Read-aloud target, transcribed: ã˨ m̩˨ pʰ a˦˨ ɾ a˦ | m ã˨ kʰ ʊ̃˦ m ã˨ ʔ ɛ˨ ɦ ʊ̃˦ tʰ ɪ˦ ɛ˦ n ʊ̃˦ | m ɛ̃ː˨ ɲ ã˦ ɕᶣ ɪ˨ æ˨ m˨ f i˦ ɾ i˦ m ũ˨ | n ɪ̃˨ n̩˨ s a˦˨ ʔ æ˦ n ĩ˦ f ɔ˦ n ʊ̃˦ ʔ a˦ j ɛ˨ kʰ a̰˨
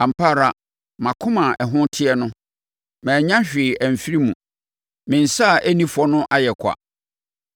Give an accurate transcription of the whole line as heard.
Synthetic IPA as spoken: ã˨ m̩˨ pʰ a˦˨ ɾ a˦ | m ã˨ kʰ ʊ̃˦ m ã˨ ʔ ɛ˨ ɦ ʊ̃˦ tʰ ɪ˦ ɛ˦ n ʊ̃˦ | m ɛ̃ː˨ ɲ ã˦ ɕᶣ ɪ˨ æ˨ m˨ f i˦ ɾ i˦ m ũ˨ | m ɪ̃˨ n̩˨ s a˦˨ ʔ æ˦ n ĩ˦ f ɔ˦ n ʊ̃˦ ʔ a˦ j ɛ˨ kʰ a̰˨

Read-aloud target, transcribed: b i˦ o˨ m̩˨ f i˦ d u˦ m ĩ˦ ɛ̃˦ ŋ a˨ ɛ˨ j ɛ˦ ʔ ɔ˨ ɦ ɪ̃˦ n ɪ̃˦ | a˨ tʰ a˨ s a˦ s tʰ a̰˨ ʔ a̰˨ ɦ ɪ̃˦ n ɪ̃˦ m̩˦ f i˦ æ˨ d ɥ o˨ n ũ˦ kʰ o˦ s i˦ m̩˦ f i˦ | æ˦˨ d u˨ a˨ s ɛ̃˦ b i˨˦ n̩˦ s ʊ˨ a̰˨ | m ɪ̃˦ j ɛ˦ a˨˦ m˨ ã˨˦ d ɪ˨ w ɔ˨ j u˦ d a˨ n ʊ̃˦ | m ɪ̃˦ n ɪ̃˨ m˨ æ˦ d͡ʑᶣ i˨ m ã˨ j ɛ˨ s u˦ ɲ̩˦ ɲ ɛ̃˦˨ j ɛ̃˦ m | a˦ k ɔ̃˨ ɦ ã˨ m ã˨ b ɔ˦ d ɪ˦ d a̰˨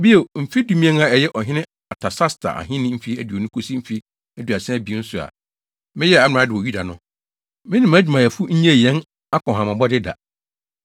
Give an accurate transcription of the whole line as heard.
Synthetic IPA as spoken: b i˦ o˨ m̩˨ f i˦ d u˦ m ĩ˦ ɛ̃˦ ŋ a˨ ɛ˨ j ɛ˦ ʔ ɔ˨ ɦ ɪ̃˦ n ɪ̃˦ | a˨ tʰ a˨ s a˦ s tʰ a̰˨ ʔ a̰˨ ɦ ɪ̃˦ n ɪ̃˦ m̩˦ f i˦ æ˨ d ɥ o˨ n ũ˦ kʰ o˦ s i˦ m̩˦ f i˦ | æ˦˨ d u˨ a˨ s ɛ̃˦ b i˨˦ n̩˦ s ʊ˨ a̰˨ | m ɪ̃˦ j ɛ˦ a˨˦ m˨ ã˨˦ d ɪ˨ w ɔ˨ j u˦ d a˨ n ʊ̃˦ | m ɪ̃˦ n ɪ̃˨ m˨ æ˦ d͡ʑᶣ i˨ m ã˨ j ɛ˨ f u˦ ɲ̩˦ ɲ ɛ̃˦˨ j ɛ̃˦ n | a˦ k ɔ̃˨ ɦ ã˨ m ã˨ b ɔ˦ d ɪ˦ d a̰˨

